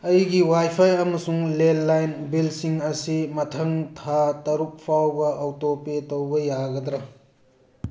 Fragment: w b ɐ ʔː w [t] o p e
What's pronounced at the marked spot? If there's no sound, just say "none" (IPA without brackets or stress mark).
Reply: t